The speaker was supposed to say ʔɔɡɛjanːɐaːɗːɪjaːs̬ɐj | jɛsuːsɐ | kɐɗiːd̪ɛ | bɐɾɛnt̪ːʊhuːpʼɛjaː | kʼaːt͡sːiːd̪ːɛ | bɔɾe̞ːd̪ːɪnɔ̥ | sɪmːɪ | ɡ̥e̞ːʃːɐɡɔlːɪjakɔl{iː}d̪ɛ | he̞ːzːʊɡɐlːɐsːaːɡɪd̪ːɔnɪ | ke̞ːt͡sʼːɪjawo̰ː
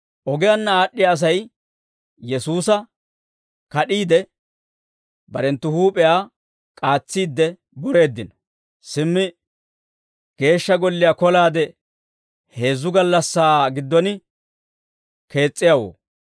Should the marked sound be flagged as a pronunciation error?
yes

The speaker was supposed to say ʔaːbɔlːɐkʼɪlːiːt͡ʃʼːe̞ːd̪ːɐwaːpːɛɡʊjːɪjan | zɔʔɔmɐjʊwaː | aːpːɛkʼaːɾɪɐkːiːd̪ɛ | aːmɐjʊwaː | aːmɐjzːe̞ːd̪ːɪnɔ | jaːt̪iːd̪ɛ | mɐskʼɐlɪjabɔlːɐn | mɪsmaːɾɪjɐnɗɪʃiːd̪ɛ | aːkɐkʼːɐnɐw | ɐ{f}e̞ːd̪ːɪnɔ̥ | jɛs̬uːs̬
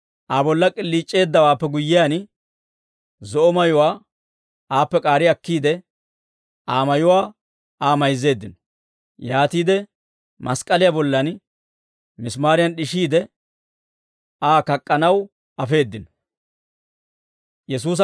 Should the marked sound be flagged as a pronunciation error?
no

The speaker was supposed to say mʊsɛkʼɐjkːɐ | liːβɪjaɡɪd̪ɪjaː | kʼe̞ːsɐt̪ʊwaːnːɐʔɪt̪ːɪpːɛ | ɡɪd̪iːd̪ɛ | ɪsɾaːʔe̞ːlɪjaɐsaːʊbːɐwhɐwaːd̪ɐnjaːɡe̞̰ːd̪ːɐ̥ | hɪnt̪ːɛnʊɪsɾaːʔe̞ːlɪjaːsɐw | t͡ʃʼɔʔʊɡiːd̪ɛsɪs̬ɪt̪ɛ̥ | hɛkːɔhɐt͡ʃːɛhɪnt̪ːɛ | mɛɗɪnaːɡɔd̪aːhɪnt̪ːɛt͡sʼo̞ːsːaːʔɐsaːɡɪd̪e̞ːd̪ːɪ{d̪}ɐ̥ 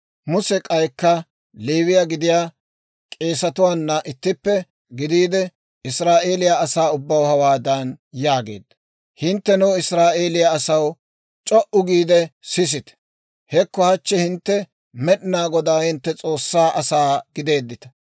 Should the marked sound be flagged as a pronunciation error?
yes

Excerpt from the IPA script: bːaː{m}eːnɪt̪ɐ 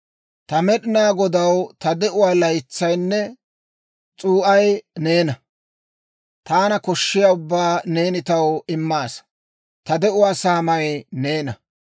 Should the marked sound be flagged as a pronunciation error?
yes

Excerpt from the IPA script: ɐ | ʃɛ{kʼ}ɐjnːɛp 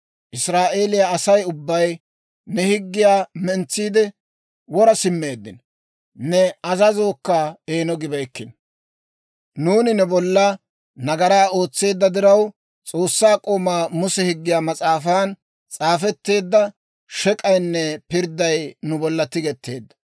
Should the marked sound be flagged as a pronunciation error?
no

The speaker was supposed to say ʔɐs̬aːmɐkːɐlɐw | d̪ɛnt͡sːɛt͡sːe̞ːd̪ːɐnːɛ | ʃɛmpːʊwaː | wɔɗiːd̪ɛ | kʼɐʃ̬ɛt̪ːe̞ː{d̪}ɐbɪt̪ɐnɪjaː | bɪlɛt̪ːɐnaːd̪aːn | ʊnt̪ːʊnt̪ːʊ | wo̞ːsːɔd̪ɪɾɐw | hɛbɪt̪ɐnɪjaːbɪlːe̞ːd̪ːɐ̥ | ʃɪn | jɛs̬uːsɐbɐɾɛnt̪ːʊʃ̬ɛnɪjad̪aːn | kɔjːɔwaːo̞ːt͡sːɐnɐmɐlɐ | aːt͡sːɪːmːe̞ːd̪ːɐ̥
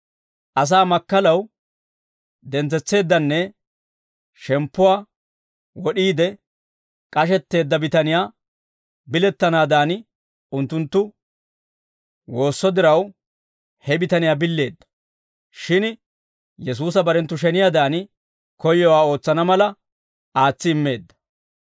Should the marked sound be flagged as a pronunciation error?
yes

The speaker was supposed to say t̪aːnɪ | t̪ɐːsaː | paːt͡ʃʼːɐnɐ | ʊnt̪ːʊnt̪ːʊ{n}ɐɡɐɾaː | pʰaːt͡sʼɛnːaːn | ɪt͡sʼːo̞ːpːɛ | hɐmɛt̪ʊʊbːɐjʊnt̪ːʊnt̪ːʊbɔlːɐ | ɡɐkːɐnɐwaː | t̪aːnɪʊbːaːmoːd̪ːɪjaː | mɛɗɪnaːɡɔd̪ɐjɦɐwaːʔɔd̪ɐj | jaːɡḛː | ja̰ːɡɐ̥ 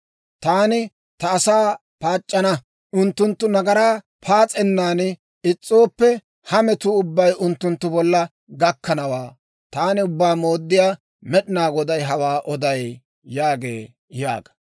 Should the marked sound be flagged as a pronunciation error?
no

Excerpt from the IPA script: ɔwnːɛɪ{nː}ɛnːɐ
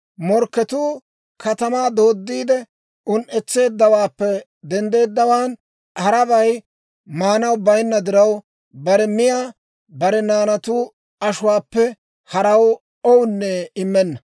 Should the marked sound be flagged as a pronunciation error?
yes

